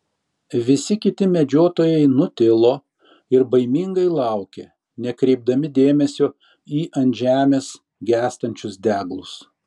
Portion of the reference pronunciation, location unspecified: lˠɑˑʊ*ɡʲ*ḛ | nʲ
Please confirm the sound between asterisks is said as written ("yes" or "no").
no